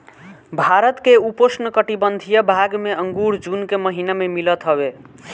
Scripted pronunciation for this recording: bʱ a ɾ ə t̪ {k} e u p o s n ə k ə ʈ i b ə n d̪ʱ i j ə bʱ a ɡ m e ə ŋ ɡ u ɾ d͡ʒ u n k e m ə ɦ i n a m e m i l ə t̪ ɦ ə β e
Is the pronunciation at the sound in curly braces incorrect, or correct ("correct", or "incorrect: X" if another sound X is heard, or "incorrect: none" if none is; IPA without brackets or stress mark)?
correct